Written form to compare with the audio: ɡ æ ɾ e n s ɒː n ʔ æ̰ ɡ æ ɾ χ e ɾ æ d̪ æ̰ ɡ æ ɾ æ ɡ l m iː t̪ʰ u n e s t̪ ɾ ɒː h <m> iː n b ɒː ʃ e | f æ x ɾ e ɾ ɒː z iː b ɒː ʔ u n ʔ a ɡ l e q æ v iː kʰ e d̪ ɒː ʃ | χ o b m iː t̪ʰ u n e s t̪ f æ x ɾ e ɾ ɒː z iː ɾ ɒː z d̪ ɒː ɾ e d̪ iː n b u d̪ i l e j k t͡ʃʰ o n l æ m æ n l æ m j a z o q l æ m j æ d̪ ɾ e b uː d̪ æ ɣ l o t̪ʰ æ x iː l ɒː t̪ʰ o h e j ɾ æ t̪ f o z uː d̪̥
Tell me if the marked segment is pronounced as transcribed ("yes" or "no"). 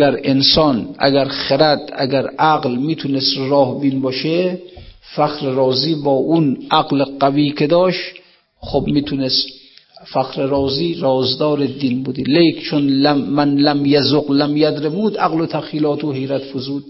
no